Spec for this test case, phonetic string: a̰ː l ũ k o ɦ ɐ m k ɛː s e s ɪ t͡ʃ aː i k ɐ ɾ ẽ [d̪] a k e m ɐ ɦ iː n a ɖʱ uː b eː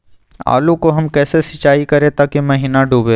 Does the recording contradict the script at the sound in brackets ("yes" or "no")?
yes